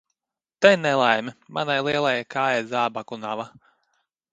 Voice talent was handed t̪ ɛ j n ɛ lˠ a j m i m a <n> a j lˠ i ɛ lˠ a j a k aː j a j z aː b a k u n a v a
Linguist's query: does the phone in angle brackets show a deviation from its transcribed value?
no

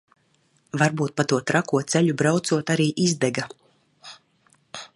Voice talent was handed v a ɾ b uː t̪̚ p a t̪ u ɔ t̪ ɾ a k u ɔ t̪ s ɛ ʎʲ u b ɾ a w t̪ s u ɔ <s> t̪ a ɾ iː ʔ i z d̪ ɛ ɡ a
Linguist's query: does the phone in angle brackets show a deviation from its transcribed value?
yes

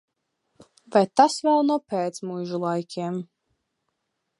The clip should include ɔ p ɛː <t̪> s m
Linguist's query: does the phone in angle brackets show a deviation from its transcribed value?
no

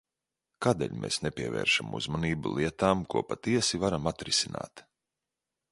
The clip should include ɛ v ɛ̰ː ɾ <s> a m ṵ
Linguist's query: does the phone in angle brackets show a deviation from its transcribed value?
yes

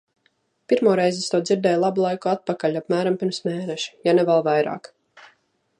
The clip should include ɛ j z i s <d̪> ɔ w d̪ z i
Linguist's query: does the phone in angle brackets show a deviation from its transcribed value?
yes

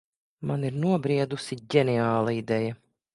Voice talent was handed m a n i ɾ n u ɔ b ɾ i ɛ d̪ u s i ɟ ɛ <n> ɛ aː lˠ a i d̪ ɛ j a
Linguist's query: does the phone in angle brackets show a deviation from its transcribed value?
no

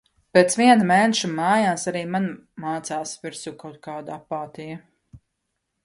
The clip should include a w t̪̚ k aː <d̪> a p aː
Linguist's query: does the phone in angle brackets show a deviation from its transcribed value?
no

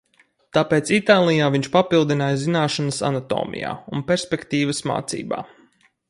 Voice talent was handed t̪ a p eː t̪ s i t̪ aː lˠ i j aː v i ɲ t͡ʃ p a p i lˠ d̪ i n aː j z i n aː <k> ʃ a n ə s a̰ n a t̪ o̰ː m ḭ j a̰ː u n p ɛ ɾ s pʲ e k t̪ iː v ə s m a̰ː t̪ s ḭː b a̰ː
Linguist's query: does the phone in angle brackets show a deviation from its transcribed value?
yes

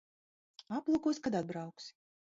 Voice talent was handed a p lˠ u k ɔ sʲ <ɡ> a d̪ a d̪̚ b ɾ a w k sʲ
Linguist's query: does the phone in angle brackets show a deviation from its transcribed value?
yes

